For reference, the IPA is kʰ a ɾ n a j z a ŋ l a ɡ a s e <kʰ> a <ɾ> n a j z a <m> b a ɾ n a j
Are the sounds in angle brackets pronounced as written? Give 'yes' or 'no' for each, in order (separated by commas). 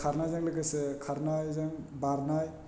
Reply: yes, yes, no